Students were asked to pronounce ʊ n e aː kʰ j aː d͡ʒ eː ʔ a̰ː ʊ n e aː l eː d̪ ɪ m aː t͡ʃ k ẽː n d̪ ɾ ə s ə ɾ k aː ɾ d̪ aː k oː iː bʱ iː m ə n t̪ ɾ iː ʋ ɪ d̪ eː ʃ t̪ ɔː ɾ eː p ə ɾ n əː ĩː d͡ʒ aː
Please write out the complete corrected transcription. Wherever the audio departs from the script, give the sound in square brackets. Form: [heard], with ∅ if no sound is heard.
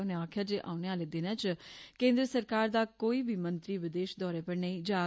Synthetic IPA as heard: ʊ n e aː kʰ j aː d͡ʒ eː ʔ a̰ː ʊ n e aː l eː d̪ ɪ [n] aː t͡ʃ k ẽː n d̪ ɾ ə s ə ɾ k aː ɾ d̪ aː k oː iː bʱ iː m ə n t̪ ɾ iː ʋ ɪ d̪ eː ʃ [d̪] ɔː ɾ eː p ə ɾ n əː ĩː d͡ʒ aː